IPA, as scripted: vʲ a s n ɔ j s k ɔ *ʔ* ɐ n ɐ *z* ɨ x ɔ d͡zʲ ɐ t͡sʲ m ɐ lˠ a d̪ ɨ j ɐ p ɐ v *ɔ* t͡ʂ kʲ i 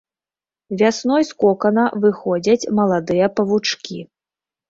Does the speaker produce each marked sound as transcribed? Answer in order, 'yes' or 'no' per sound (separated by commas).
no, no, no